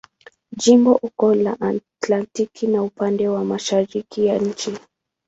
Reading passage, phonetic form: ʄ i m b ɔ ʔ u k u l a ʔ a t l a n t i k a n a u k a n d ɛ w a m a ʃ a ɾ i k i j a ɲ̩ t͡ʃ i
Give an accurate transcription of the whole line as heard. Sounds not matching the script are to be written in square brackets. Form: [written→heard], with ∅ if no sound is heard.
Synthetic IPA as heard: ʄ i m b ɔ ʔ u k [u→ɔ] l a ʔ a t l a n t i k [a→i] n a u [k→p] a n d ɛ w a m a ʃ a ɾ i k i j a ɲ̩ t͡ʃ i